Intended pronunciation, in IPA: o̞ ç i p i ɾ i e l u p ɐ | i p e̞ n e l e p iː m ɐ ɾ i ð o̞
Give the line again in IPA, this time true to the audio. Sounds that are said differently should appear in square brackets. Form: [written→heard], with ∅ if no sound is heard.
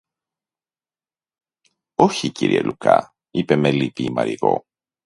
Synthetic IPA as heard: o̞ ç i [p→c] i ɾ i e l u [p→k] ɐ | i p e̞ [n→m] e l [e→i] p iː m ɐ ɾ i [ð→ɣ] o̞

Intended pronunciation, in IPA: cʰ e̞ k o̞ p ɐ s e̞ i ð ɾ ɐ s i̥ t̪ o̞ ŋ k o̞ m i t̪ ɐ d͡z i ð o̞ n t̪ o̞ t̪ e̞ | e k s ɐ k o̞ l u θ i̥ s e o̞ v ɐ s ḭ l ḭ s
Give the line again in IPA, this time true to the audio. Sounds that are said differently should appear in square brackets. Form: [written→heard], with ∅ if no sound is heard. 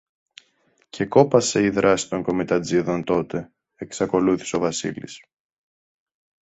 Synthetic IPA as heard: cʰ e̞ k o̞ p ɐ s e̞ i ð ɾ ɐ s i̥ t̪ o̞ ŋ k o̞ m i t̪ ɐ d͡z i ð o̞ n t̪ o̞ t̪ e̞ | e k s ɐ k o̞ l u θ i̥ s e o̞ v ɐ s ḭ l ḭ s

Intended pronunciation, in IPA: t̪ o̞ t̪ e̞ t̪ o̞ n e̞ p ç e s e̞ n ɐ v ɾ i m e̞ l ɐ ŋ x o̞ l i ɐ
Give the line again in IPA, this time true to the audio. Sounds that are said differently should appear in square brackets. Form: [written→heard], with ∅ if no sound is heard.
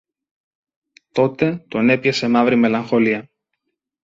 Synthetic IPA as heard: t̪ o̞ t̪ e̞ t̪ o̞ n e̞ p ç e s e̞ [n→m] ɐ v ɾ i m e̞ l ɐ ŋ x o̞ l i ɐ

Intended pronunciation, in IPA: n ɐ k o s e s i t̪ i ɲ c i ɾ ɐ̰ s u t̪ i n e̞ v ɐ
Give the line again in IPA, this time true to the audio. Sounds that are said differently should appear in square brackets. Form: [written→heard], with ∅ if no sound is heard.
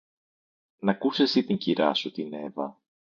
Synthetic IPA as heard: n ɐ k [o→u] s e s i t̪ i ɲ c i ɾ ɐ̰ s u t̪ i n e̞ v ɐ

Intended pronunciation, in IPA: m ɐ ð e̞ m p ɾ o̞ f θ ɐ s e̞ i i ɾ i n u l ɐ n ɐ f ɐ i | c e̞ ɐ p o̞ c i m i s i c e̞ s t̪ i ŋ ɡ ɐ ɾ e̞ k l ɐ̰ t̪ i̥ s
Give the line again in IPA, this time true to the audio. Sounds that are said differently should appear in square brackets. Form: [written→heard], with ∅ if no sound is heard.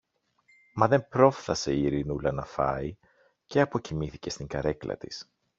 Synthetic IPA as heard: m ɐ ð e̞ m p ɾ o̞ f θ ɐ s e̞ i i ɾ i n u l ɐ n ɐ f ɐ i | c e̞ ɐ p o̞ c i m i [s→θ] i c e̞ s t̪ i ŋ ɡ ɐ ɾ e̞ k l ɐ̰ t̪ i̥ s

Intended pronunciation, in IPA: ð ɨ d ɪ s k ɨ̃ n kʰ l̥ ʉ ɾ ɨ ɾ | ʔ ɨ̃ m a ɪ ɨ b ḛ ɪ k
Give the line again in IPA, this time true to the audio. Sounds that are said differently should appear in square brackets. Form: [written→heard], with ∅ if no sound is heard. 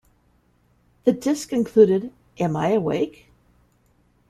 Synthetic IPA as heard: ð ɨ d ɪ s k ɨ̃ n kʰ l̥ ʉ ɾ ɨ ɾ | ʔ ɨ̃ m a ɪ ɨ [b→w] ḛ ɪ k

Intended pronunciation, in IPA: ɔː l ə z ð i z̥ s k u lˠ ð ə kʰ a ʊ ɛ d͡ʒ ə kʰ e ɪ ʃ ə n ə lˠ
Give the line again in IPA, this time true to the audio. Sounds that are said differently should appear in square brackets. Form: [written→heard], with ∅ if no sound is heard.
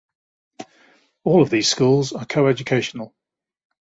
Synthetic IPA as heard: ɔː l ə [z→v] ð [i→iː] z̥ s k [u→uː] lˠ [ð→z] ə kʰ [a→ə] ʊ ɛ d͡ʒ ə kʰ e ɪ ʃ ə n ə lˠ

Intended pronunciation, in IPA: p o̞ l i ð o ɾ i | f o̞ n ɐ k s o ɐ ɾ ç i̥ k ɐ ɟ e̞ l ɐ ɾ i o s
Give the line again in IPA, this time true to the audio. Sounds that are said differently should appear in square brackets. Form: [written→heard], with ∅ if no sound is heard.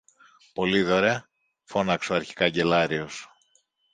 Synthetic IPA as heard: p o̞ l i ð o ɾ [i→e] | f o̞ n ɐ k s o ɐ ɾ ç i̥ k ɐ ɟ e̞ l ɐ ɾ i o s

